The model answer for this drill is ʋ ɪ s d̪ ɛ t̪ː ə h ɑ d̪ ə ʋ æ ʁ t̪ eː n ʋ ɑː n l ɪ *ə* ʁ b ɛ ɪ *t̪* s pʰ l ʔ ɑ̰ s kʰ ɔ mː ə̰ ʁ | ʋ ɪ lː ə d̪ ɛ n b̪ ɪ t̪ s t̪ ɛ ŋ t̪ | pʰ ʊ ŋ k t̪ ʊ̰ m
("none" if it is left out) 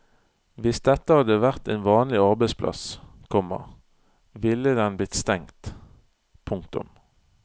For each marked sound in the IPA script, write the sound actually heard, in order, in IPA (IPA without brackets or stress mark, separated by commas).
ɑ, none